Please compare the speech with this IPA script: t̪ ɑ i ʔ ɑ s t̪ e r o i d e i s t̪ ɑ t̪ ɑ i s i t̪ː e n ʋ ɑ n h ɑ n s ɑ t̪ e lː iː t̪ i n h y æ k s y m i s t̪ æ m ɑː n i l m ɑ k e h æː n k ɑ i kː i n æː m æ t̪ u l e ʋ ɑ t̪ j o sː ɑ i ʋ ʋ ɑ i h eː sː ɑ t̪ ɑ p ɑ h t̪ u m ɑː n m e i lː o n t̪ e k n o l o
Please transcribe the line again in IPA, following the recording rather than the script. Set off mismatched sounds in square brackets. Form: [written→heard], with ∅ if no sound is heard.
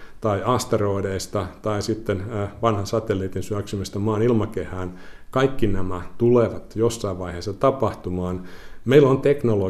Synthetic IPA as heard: t̪ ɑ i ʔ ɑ s t̪ e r o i d e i s t̪ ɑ t̪ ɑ i s i t̪ː e n ʋ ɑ n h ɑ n s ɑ t̪ e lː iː t̪ i n [h→s] y æ k s y m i s t̪ æ m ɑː n i l m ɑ k e h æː n k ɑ i kː i n [æː→æ] m æ t̪ u l e ʋ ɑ t̪ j o sː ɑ i ʋ ʋ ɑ i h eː sː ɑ t̪ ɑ p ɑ h t̪ u m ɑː n m e i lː o n t̪ e k n o l o